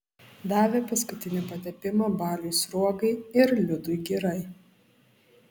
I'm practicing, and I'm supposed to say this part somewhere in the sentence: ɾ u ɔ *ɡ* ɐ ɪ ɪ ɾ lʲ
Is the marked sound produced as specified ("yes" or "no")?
yes